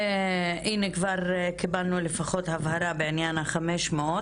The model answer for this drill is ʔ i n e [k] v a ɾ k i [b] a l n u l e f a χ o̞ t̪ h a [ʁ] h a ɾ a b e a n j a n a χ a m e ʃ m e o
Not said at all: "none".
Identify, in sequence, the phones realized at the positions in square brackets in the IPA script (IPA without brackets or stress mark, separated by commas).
k, b, v